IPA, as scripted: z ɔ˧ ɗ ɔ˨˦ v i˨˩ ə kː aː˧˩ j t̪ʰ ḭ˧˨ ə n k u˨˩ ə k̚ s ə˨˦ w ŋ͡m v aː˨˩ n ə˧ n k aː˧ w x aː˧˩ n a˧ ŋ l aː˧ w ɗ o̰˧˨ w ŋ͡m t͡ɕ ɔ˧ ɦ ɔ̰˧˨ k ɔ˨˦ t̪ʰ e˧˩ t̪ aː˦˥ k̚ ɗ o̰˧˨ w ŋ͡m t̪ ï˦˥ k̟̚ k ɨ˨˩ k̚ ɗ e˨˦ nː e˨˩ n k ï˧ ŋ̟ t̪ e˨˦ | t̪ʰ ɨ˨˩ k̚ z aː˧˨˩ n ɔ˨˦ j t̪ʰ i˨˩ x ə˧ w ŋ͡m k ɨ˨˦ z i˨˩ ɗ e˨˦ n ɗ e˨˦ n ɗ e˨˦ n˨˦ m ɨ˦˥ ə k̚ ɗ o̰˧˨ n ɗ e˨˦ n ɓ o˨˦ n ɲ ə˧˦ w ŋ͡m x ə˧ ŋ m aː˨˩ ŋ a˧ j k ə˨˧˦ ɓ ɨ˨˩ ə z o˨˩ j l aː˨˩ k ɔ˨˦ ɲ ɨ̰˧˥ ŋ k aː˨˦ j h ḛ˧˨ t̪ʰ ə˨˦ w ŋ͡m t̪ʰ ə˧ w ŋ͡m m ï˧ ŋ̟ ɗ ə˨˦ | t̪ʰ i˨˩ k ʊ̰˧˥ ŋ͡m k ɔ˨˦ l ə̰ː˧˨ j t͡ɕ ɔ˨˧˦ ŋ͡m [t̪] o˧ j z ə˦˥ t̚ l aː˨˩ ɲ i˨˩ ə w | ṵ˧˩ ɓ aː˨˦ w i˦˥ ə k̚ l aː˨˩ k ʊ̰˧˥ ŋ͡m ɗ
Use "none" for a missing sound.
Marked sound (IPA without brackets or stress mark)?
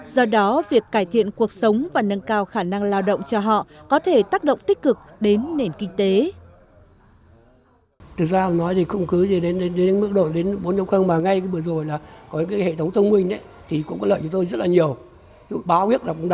t̪